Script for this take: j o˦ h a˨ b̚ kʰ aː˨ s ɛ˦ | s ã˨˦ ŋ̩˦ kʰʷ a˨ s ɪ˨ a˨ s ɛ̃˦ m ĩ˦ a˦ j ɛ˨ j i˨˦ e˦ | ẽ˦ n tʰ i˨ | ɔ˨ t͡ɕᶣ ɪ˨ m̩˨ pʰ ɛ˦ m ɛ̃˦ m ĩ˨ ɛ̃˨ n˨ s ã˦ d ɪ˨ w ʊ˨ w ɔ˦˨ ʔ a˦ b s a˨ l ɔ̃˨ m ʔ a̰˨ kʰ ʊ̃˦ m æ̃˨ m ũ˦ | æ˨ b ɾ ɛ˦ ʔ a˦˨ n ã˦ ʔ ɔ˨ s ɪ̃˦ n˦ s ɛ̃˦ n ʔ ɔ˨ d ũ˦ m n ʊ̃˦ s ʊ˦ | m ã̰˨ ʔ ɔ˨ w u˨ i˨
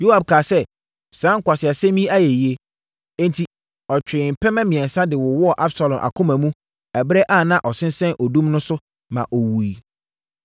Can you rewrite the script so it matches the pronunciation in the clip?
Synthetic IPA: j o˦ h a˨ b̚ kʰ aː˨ s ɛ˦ | s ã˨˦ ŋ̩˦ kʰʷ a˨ s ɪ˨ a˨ s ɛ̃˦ m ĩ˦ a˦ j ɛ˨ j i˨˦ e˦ | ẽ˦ n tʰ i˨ | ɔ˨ t͡ɕᶣ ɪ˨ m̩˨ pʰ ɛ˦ m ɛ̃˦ m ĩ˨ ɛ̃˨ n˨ s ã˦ d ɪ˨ w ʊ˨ w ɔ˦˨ ʔ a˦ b s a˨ l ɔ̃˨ m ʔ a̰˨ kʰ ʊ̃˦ m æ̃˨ m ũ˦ | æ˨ b ɾ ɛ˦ ʔ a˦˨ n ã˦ ʔ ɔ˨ s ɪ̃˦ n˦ s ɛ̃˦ n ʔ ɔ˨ d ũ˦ m n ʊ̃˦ s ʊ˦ | m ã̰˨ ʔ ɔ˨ w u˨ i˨